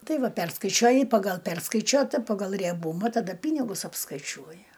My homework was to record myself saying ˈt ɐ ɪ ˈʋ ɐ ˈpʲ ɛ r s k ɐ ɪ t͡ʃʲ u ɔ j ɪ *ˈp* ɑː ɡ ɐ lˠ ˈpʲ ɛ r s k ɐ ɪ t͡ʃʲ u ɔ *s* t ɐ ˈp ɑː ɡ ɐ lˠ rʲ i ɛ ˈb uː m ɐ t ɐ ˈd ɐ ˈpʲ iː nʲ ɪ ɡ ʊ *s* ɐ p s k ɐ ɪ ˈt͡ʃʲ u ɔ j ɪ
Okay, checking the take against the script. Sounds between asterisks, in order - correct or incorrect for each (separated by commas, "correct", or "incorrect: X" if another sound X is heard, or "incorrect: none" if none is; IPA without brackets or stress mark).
correct, incorrect: none, correct